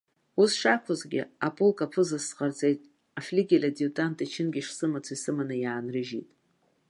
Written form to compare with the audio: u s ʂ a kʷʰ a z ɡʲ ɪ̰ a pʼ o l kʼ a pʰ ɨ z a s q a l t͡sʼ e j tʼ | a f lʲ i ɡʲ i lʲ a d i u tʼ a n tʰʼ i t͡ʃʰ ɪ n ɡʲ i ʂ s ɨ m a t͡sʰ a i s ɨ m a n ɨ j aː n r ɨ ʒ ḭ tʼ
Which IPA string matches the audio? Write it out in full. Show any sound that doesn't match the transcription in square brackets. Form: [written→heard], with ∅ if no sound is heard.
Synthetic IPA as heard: u s ʂ a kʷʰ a z ɡʲ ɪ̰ a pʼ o l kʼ a pʰ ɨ z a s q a [l→r] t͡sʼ e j tʼ | a f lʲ i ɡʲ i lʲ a d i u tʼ a n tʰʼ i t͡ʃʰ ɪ n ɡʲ i ʂ s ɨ m a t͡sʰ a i s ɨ m a n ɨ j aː n r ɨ ʒ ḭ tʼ